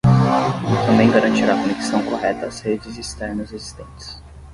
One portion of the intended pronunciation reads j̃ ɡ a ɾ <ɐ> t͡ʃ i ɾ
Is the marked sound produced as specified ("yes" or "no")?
no